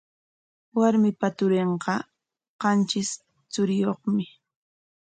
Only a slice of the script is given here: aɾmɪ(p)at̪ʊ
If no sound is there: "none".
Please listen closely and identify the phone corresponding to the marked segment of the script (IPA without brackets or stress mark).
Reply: p